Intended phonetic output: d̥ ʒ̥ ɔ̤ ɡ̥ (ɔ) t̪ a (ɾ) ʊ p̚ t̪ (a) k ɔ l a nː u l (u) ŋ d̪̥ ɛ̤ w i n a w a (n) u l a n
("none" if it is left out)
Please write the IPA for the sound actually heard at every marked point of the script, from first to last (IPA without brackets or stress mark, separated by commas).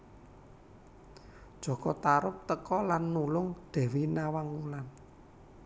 ɔ, ɾ, ə, ʊ, ŋ